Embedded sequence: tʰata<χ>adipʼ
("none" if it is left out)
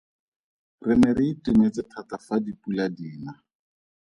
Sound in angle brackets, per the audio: f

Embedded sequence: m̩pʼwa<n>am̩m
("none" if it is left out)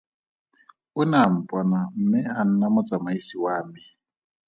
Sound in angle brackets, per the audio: n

